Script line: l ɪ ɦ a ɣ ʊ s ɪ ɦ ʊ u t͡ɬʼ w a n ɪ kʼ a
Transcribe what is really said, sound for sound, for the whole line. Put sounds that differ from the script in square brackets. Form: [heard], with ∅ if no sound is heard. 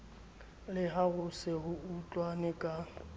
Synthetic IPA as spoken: l ɪ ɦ a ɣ ʊ s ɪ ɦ ʊ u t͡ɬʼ w a n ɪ kʼ a